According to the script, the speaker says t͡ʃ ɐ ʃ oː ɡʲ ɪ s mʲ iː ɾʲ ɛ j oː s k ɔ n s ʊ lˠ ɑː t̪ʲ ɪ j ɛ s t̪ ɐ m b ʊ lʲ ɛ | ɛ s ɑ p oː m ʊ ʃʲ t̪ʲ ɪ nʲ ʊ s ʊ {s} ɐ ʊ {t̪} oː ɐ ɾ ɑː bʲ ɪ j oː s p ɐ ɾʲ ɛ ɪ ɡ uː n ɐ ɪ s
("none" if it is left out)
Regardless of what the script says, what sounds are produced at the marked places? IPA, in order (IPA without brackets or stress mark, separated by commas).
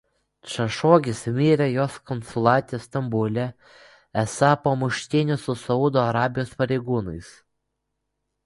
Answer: s, d̪